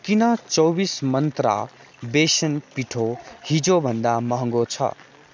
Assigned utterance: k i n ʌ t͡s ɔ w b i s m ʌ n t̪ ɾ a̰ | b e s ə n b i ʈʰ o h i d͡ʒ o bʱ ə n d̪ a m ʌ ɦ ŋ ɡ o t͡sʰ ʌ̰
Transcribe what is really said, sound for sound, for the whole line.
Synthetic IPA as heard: k i n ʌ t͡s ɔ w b i s m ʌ n t̪ ɾ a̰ | b e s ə n p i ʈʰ o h i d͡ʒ o bʱ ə n d̪ a m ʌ ɦ ŋ ɡ o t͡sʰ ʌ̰

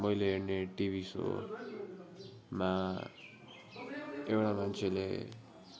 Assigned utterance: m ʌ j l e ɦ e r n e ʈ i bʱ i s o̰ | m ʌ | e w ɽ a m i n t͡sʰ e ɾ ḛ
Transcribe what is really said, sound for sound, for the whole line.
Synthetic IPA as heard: m ʌ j l e ɦ e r n e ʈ i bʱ i s o̰ | m a | e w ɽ a m a n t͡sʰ e l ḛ

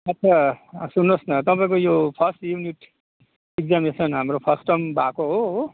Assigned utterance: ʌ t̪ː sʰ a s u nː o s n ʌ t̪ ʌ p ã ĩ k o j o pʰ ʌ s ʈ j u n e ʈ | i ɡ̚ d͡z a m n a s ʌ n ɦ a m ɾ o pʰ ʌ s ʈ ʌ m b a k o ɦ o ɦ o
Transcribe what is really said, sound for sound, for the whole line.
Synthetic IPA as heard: ʌ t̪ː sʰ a s u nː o s n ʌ t̪ ʌ p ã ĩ k o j o pʰ ʌ s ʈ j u n i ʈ | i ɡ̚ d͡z a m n e s ʌ n ɦ a m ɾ o pʰ ʌ s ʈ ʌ m b a k o ɦ o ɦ o

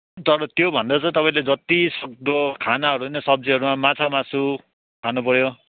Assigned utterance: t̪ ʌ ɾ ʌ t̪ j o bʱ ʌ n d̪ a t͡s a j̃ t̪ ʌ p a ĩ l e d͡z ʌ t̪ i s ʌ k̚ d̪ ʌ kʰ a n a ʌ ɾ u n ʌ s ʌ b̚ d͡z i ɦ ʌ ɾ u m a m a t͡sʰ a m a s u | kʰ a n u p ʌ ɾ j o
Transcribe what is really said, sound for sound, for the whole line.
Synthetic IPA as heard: t̪ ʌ ɾ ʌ t̪ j o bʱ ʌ n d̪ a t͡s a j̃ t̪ ʌ p a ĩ l e d͡z ʌ t̪ i s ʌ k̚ d̪ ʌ kʰ a n a ʌ ɾ u n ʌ s ʌ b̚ d͡z i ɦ ʌ ɾ u m a m a t͡sʰ a m a s u | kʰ a n u p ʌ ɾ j o

